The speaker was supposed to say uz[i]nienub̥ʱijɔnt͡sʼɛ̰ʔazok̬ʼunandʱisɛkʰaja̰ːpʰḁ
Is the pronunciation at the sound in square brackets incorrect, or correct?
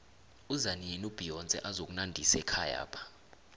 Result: incorrect